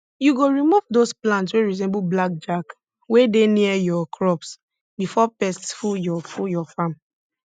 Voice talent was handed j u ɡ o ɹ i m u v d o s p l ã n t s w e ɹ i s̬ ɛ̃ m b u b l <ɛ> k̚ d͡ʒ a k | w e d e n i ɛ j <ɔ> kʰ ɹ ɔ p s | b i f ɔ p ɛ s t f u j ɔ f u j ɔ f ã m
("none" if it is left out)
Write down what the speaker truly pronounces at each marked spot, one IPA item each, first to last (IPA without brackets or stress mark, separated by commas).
a, ɔ